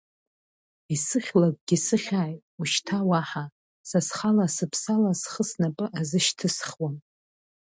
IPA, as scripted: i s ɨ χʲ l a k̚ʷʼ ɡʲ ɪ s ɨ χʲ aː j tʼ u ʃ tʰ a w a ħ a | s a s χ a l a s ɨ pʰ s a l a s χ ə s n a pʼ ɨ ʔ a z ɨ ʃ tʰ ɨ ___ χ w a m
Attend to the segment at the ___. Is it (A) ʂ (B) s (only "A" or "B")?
B